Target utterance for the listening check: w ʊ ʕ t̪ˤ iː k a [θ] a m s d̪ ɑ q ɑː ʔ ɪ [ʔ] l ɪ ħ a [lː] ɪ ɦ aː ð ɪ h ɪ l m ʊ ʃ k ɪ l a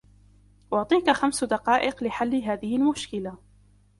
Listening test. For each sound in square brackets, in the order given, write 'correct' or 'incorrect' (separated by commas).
incorrect, incorrect, correct